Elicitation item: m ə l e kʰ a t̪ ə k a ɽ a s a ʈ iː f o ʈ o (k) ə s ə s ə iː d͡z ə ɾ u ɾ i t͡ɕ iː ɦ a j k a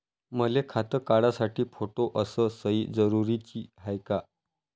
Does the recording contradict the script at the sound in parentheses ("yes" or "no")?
yes